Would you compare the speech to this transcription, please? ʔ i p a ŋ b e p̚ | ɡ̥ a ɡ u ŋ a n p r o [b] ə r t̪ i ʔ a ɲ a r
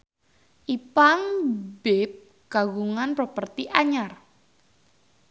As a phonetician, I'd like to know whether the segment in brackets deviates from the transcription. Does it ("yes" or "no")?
yes